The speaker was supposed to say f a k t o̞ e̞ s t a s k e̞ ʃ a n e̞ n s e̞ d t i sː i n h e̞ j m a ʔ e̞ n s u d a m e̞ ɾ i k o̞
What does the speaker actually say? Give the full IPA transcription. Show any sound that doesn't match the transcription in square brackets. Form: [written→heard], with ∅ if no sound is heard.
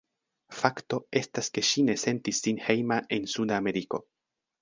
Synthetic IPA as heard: f a k t o̞ e̞ s t a s k e̞ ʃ [a→i] n e̞ [n→∅] s e̞ [d→n] t i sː i n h e̞ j m a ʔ e̞ n s u d a m e̞ ɾ i k o̞